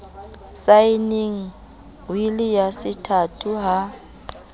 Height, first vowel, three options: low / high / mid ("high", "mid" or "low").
low